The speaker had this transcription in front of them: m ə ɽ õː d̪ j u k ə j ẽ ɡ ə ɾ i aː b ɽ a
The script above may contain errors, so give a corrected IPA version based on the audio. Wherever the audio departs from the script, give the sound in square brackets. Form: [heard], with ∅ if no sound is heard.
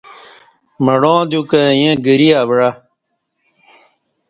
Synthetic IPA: m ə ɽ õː d̪ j u k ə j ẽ ɡ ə ɾ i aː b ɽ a